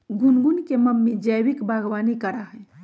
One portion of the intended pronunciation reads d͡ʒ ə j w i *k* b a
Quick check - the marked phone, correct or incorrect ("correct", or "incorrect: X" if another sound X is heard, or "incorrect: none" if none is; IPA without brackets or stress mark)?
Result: correct